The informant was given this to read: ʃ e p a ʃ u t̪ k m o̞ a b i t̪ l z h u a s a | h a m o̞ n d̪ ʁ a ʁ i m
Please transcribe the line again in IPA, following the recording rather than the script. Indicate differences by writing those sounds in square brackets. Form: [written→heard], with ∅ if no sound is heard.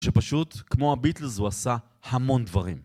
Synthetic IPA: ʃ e p a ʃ u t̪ k m o̞ a b i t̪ l z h u a s a | h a m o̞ n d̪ [ʁ→v] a ʁ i m

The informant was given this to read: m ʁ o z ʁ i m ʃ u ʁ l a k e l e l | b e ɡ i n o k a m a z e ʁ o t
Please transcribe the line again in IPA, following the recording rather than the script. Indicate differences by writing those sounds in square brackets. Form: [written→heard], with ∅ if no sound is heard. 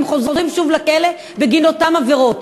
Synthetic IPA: m [ʁ→χ] o z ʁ i m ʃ u [ʁ→v] l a k e l e [l→∅] | b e ɡ i n o [k→t] a m a [z→v] e ʁ o t

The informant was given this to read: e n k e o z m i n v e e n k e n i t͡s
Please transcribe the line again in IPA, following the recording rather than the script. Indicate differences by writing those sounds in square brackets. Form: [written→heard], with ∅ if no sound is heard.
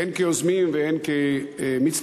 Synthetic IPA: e n k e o z m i [n→m] v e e n k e [n→m] i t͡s

